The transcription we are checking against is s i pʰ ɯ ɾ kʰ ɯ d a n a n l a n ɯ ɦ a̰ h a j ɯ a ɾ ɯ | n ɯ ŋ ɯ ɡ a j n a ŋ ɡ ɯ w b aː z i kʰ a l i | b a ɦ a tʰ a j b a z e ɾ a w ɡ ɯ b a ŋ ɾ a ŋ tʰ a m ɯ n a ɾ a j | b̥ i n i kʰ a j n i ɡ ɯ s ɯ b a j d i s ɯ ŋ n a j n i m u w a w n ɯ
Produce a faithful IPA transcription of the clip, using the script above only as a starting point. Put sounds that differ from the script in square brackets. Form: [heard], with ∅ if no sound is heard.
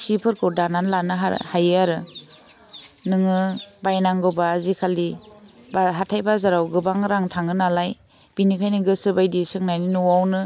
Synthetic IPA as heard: s i pʰ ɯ ɾ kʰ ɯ d a n a n l a n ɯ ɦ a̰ h a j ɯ a ɾ ɯ | n ɯ ŋ ɯ [b] a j n a ŋ ɡ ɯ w b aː z i kʰ a l i | b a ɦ a tʰ a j b a z [a] ɾ a w ɡ ɯ b a ŋ ɾ a ŋ tʰ a [ŋ] ɯ n a [l] a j | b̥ i n i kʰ a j n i ɡ ɯ s ɯ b a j d i s ɯ ŋ n a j n i [n] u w a w n ɯ

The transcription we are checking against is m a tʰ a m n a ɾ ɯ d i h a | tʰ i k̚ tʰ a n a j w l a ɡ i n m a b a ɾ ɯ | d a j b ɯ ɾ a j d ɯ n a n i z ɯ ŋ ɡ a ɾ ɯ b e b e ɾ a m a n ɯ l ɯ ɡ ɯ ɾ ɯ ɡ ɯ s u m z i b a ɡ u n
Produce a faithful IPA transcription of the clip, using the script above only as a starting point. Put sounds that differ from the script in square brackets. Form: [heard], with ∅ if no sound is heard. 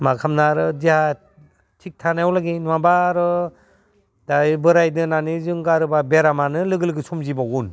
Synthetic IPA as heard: m a [kʰ] a m n a ɾ ɯ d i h a | tʰ i k̚ tʰ a n a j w l a ɡ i n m a b a ɾ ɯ | d a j b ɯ ɾ a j d ɯ n a n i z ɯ ŋ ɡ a ɾ ɯ b [a] b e ɾ a m a n ɯ l ɯ ɡ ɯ [l] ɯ ɡ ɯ s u m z i b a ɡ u n

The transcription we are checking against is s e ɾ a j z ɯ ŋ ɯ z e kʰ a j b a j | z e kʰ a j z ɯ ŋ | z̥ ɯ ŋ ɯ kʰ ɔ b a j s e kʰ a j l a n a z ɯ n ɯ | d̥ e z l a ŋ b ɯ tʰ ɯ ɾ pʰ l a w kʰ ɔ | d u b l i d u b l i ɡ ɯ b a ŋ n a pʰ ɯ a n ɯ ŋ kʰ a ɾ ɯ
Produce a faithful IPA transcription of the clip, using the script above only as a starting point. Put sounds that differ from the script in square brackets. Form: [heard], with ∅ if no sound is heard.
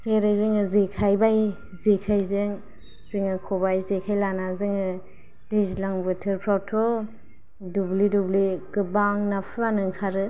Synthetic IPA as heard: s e ɾ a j z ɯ ŋ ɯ z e kʰ a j b a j | z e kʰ a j z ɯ ŋ | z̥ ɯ ŋ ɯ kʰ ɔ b a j [z] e kʰ a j l a n a z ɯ [ŋ] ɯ | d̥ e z l a ŋ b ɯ tʰ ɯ ɾ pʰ [ɾ] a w [tʰ] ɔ | d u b l i d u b l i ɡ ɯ b a ŋ n a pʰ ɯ a n ɯ ŋ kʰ a ɾ ɯ

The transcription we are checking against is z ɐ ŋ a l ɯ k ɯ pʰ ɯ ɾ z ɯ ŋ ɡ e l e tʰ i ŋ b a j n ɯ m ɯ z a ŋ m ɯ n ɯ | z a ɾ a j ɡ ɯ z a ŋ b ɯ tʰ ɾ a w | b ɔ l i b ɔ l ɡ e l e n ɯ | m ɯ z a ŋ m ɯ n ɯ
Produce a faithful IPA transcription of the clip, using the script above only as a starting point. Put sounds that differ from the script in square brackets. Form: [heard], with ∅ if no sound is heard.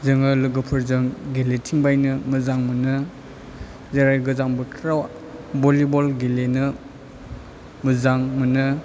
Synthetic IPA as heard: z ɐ ŋ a l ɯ [ɡ] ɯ pʰ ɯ ɾ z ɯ ŋ ɡ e l e tʰ i ŋ b a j n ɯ m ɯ z a ŋ m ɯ n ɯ | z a ɾ a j ɡ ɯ z a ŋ b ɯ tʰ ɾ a w | b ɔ l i b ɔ l ɡ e l e n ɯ | m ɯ z a ŋ m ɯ n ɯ

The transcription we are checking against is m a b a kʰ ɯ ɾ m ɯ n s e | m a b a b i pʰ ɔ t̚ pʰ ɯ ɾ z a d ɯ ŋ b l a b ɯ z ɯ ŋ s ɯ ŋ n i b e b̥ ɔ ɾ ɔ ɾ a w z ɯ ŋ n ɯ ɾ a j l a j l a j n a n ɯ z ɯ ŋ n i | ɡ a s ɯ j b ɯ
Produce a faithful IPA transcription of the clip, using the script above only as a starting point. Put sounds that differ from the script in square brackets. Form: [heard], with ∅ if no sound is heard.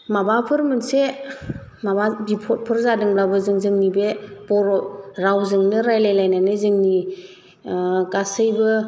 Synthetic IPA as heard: m a b a [pʰ] ɯ ɾ m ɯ n s e | m a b a b i pʰ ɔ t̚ pʰ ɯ ɾ z a d ɯ ŋ b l a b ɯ z ɯ ŋ [z] ɯ ŋ n i b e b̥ ɔ ɾ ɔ ɾ a w z ɯ ŋ n ɯ ɾ a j l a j l a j n a n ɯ z ɯ ŋ n i | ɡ a s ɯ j b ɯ

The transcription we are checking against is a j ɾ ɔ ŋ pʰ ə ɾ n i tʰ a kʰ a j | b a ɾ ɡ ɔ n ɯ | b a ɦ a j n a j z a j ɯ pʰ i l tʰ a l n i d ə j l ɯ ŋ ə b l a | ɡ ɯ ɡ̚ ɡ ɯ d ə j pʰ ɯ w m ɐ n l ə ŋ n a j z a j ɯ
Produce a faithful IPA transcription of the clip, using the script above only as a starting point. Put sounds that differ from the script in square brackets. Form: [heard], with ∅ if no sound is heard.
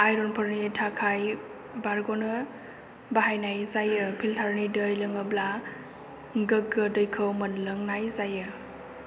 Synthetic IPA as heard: a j ɾ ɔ [n] pʰ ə ɾ n i tʰ a kʰ a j | b a ɾ ɡ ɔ n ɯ | b a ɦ a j n a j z a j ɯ pʰ i l tʰ a [ɾ] n i d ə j l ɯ ŋ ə b l a | ɡ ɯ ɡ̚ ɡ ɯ d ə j [kʰ] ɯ w m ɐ n l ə ŋ n a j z a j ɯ

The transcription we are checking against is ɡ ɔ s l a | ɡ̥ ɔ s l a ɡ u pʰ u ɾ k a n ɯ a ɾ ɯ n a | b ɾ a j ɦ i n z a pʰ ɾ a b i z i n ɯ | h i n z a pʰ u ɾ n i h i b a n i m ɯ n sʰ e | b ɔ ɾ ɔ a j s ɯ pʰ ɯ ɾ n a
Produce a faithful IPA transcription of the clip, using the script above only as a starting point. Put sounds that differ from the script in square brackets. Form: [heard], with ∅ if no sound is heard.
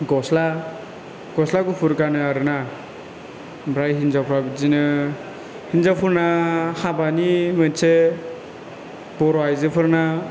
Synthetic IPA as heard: ɡ ɔ s l a | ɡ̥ ɔ s l a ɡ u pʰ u ɾ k a n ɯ a ɾ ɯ n a | b ɾ a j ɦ i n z a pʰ ɾ a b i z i n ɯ | h i n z a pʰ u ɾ n [a] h [a] b a n i m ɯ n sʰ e | b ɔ ɾ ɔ a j [z] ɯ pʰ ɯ ɾ n a

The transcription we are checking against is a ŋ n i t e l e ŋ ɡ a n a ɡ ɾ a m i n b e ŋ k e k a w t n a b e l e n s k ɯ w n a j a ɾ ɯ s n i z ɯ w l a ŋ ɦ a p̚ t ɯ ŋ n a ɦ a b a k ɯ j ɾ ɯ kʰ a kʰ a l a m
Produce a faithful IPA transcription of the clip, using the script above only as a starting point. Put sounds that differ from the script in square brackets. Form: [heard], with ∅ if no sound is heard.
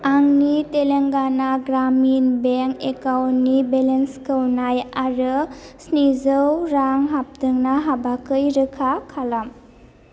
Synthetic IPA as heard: a ŋ n i t e l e ŋ ɡ a n a ɡ ɾ a m i n b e ŋ k e k a w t n [i] b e l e n s k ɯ w n a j a ɾ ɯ s n i z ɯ w [ɾ] a ŋ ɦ a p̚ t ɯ ŋ n a ɦ a b a k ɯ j ɾ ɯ kʰ a kʰ a l a m

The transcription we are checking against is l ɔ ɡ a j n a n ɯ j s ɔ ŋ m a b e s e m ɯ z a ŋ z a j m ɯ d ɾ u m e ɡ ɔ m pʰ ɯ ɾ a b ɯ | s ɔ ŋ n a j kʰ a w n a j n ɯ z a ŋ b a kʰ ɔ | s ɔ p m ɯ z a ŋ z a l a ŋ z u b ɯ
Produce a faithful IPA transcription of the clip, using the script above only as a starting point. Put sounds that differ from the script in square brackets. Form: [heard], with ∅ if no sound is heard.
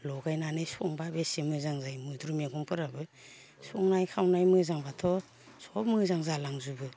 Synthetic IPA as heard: l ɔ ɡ a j n a n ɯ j s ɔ ŋ [b] a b e s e m ɯ z a ŋ z a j m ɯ d ɾ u m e ɡ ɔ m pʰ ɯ ɾ a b ɯ | s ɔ ŋ n a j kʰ a w n a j [m] ɯ z a ŋ b a [tʰ] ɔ | s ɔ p m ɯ z a ŋ z a l a ŋ z u b ɯ

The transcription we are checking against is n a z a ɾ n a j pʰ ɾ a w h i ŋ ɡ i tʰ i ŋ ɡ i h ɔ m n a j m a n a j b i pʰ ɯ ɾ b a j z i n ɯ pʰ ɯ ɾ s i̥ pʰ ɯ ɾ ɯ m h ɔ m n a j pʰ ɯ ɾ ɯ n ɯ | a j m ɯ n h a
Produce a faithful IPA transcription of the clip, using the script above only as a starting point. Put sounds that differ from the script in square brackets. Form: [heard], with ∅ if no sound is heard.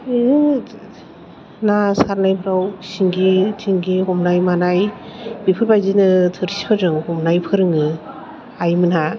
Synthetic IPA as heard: n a [s] a ɾ n a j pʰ ɾ a w [s] i ŋ ɡ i tʰ i ŋ ɡ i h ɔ m n a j m a n a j b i pʰ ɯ ɾ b a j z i n ɯ [tʰ] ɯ ɾ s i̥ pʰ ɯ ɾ ɯ [ŋ] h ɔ m n a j pʰ ɯ ɾ ɯ [ŋ] ɯ | a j m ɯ n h a

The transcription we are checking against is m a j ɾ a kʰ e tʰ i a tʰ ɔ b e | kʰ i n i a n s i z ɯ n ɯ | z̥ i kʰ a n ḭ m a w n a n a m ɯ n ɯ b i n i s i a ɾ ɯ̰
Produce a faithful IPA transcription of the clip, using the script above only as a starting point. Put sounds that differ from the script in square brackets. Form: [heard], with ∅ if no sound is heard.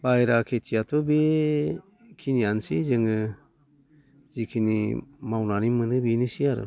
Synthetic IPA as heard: [b] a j ɾ a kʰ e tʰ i a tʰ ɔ b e | kʰ i n i a n s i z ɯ [ŋ] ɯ | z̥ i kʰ [i] n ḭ m a w n a n [i] m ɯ n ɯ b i n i s i a ɾ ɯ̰

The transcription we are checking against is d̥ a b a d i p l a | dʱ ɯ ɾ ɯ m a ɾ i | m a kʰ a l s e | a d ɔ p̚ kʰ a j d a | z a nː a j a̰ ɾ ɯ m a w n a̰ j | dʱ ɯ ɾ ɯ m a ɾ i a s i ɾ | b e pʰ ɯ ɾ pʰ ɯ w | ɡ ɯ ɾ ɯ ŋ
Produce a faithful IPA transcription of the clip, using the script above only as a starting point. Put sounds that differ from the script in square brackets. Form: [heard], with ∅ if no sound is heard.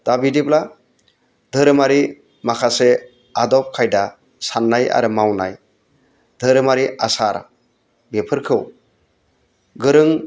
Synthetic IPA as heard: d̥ a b [i] d i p l a | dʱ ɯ ɾ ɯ m a ɾ i | m a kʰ a [∅] s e | a d ɔ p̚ kʰ a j d a | [s] a nː a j a̰ ɾ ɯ m a w n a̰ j | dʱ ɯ ɾ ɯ m a ɾ i a s [a] ɾ | b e pʰ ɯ ɾ [kʰ] ɯ w | ɡ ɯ ɾ ɯ ŋ

